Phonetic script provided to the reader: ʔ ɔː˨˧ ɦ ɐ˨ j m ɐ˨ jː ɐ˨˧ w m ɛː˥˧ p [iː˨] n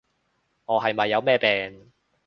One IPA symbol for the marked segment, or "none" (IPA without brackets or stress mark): ɛː˨